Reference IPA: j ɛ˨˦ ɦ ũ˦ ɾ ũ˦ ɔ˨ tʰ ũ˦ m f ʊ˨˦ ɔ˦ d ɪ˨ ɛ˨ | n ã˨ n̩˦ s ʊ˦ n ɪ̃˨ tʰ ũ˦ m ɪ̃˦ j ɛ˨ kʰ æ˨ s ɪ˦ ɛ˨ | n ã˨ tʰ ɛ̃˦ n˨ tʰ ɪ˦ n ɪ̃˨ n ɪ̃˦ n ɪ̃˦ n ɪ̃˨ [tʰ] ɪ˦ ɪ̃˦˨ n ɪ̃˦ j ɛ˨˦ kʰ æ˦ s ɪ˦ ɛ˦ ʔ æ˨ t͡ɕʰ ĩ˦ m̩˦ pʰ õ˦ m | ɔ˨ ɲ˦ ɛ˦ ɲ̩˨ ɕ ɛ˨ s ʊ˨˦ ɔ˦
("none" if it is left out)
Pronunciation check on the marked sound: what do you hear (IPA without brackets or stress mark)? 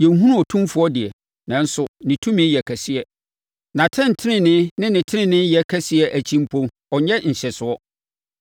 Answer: tʰ